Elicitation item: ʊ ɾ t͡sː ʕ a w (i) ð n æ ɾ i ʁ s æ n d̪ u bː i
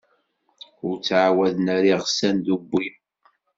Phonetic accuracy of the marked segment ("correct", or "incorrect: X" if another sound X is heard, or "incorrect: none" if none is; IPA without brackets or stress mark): incorrect: æ